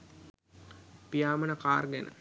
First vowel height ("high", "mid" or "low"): high